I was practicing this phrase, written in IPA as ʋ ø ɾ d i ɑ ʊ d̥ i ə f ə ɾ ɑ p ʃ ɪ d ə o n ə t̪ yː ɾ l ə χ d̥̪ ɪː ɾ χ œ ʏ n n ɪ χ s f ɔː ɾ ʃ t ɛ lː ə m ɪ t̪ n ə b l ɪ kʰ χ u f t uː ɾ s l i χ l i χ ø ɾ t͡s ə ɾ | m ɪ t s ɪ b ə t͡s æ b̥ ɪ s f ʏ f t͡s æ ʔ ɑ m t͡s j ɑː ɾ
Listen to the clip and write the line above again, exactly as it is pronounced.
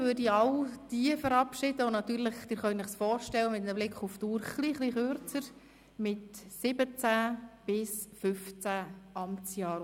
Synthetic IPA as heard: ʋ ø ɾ d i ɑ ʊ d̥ i ə f ə ɾ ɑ p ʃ ɪ d ə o n ɑ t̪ yː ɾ l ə χ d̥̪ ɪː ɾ χ œ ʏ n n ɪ χ s f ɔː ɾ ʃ t ɛ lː ə m ɪ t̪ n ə b l ɪ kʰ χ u f t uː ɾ χ l i χ l i χ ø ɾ t͡s ə ɾ | m ɪ t s ɪ b ə t͡s æ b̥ ɪ s f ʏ f t͡s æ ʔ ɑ m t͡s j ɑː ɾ